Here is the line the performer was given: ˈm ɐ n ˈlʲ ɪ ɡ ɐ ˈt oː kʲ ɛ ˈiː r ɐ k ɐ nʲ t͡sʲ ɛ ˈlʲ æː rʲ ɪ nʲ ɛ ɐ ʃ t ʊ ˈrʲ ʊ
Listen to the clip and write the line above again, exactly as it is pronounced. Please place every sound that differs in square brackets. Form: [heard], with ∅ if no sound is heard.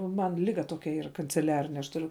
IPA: ˈm ɐ n ˈlʲ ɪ ɡ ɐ ˈt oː kʲ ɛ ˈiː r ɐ k ɐ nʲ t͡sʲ ɛ ˈlʲ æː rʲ ɪ nʲ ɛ ɐ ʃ t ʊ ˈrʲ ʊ